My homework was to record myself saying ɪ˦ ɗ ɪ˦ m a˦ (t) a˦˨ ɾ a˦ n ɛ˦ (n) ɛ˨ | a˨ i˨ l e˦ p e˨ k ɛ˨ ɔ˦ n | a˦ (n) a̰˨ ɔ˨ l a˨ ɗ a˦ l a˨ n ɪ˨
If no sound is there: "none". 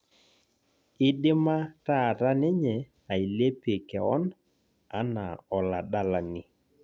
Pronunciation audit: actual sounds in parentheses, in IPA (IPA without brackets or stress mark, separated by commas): t, ɲ, n